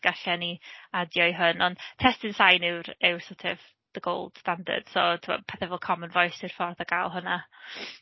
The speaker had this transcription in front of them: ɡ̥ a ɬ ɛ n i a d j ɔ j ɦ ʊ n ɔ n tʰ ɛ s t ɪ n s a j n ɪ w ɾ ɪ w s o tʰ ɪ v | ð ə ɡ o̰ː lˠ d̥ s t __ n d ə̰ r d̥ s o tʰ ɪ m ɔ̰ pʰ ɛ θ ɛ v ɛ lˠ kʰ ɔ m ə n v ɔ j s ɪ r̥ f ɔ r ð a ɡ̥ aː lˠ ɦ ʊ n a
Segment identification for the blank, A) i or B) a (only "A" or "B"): B